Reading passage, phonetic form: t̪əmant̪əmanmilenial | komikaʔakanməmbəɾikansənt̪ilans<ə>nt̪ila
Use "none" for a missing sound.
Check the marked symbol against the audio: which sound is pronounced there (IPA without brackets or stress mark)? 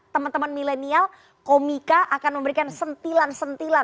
ə